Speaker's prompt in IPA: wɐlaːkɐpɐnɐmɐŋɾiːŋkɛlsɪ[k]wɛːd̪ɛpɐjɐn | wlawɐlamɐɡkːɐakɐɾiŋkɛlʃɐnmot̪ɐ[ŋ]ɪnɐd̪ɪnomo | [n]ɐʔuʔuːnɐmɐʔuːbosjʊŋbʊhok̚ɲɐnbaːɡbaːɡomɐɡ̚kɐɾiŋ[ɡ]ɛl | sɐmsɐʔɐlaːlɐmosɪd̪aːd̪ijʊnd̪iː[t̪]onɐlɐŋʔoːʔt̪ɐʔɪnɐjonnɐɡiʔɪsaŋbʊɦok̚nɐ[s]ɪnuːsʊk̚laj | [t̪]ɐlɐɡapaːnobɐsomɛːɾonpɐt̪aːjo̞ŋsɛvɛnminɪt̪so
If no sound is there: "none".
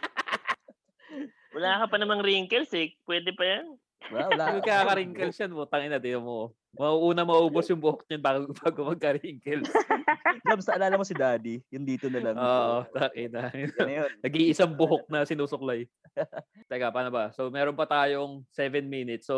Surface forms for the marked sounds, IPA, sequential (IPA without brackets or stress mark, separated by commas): p, ŋ, m, k, t̪, s, t̪